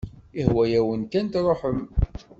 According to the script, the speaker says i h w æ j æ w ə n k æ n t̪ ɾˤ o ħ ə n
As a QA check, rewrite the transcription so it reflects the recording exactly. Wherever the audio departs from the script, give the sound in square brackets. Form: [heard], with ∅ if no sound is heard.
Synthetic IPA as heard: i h w æ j æ w ə n k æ n t̪ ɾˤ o ħ ə [m]